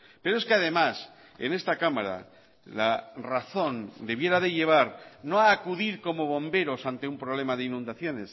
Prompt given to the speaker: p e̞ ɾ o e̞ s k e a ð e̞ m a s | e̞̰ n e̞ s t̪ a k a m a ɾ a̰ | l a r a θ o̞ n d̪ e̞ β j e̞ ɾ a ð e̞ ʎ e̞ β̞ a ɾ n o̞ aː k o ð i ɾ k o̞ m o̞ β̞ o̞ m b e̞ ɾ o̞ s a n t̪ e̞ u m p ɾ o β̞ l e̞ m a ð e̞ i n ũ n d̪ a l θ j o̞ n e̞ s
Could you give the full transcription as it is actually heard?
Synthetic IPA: p e̞ ɾ o e̞ s k e a ð e̞ m a s | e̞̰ n e̞ s t̪ a k a m a ɾ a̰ | l a r a θ o̞ n d̪ e̞ β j e̞ ɾ a ð e̞ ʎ e̞ β̞ a ɾ n o̞ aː k u ð i ɾ k o̞ m o̞ β̞ o̞ m b e̞ ɾ o̞ s a n t̪ e̞ u m p ɾ o β̞ l e̞ m a ð e̞ i n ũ n d̪ a θ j o̞ n e̞ s

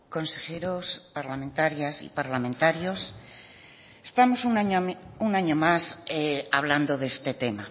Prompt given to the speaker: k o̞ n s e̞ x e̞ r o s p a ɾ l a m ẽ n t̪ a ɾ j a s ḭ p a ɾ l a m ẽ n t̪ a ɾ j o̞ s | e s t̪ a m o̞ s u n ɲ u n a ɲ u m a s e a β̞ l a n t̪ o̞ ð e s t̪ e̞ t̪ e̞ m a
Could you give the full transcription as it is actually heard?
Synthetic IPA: k o̞ n s e̞ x e̞ ɾ o s p a ɾ l a m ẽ n t̪ a ɾ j a s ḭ p a ɾ l a m ẽ n t̪ a ɾ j o̞ s | e s t̪ a m o̞ s u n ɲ u n a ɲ o m a s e a β̞ l a n d̪ o̞ ð e s t̪ e̞ t̪ e̞ m a

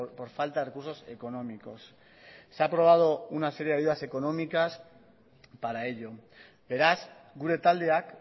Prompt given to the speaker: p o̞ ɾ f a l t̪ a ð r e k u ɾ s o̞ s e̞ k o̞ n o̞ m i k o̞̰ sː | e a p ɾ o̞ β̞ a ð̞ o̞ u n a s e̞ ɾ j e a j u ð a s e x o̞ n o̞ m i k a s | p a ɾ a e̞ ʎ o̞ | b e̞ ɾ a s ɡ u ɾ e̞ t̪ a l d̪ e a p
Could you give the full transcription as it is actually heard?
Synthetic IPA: p o̞ ɾ f a l t̪ a ð r e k u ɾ s o̞ s e̞ k o̞ n o̞ m i k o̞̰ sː | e a p ɾ o̞ β̞ a ð̞ o̞ u n a s e̞ ɾ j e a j u ð a s e k o̞ n o̞ m i k a s | p a ɾ a e̞ ʎ o̞ | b e̞ ɾ a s ɡ u ɾ e̞ t̪ a l d̪ e a k

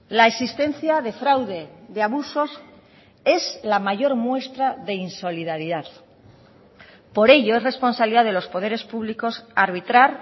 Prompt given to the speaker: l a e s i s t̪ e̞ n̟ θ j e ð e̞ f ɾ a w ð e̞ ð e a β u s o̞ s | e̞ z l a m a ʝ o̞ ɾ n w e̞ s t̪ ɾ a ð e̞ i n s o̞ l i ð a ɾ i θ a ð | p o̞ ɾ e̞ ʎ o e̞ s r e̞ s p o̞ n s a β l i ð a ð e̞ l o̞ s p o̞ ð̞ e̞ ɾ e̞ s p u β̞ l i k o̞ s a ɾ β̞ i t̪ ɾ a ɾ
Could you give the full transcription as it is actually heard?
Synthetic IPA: l a e s i s t̪ e̞ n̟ θ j a ð e̞ f ɾ a w ð e̞ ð e a β u s o̞ s | e̞ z l a m a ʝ o̞ ɾ m w e̞ s t̪ ɾ a ð e̞ i n s o̞ l i ð a ɾ i ð a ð | p o̞ ɾ e̞ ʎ o e̞ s r e̞ s p o̞ n s a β l i ð a ð e̞ l o̞ s p o̞ ð̞ e̞ ɾ e̞ s p u β̞ l i k o̞ s a ɾ β̞ i t̪ ɾ a ɾ

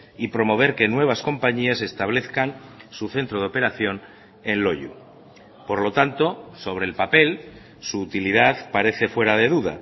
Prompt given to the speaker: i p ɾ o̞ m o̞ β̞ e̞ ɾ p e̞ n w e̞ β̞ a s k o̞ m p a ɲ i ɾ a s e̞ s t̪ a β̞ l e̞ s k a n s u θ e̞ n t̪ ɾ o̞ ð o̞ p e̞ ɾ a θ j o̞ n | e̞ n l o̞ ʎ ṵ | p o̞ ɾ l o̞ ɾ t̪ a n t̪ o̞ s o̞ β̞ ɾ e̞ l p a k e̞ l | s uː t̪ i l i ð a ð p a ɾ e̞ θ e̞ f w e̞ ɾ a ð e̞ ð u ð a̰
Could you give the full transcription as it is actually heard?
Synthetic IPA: i p ɾ o̞ m o̞ β̞ e̞ ɾ k e̞ n w e̞ β̞ a s k o̞ m p a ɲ i a s e̞ s t̪ a β̞ l e̞ θ k a n s u θ e̞ n t̪ ɾ o̞ ð o̞ p e̞ ɾ a θ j o̞ n | e̞ n l o̞ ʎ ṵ | p o̞ ɾ l o̞ t̪ a n t̪ o̞ s o̞ β̞ ɾ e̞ l p a p e̞ l | s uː t̪ i l i ð a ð p a ɾ e̞ θ e̞ f w e̞ ɾ a ð e̞ ð u ð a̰

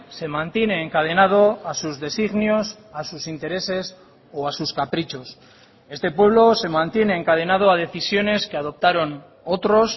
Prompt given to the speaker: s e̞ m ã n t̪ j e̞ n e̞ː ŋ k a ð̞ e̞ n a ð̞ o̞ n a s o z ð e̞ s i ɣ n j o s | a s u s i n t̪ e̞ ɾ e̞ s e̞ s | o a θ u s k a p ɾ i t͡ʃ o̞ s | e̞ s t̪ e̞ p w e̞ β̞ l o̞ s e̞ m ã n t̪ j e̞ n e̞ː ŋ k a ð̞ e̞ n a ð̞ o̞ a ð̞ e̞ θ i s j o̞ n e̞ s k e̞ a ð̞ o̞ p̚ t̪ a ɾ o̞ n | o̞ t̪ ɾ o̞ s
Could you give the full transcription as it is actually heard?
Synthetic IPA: s e̞ m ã n t̪ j e̞ n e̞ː ŋ k a ð̞ e̞ n a ð̞ o̞ a s u z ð e̞ s i ɣ n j o s | a s u s i n t̪ e̞ ɾ e̞ s e̞ s | o a s u s k a p ɾ i t͡ʃ o̞ s | e̞ s t̪ e̞ p w e̞ β̞ l o̞ s e̞ m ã n t̪ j e̞ n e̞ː ŋ k a ð̞ e̞ n a ð̞ o̞ a ð̞ e̞ θ i s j o̞ n e̞ s k e̞ a ð̞ o̞ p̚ t̪ a ɾ o̞ n | o̞ t̪ ɾ o̞ s

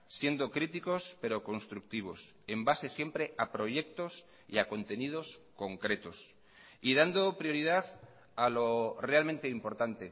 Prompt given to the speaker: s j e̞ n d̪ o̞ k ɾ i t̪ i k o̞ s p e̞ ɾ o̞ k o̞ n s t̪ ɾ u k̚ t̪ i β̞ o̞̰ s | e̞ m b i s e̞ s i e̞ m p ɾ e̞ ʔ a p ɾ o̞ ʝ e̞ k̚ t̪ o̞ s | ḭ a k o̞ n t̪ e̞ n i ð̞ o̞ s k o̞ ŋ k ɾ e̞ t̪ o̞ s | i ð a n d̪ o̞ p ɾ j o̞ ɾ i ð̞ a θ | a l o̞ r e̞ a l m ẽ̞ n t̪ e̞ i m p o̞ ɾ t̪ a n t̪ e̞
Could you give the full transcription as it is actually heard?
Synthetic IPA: s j e̞ n d̪ o̞ k ɾ i t̪ i k o̞ s p e̞ ɾ o̞ k o̞ n s t̪ ɾ u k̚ t̪ i β̞ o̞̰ s | e̞ m b a s e̞ s j e̞ m p ɾ e̞ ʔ a p ɾ o̞ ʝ e̞ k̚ t̪ o̞ s | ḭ a k o̞ n t̪ e̞ n i ð̞ o̞ s k o̞ ŋ k ɾ e̞ t̪ o̞ s | i ð a n d̪ o̞ p ɾ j o̞ ɾ i ð̞ a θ | a l o̞ r e̞ a l m ẽ̞ n t̪ e̞ i m p o̞ ɾ t̪ a n t̪ e̞

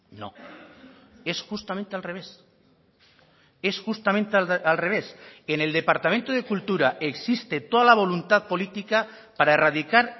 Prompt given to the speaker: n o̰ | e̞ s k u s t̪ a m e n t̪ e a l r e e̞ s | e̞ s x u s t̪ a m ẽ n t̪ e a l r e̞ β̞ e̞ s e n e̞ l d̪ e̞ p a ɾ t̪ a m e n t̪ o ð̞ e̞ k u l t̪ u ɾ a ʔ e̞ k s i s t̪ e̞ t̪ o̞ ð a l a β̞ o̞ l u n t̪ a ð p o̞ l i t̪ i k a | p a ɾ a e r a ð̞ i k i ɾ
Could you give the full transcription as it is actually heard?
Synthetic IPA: n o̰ | e̞ s x u s t̪ a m e n t̪ e a l r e e̞ s | e̞ s x u s t̪ a m ẽ n t̪ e a l r e̞ β̞ e̞ s e n e̞ l d̪ e̞ p a ɾ t̪ a m e n t̪ o ð̞ e̞ k u l t̪ u ɾ a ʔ e̞ k s i s t̪ e̞ t̪ o̞ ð a l a β̞ o̞ l u n t̪ a ð p o̞ l i t̪ i k a | p a ɾ a e r a ð̞ i k a ɾ

